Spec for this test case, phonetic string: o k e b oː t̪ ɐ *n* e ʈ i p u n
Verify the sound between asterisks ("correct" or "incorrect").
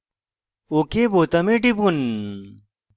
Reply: incorrect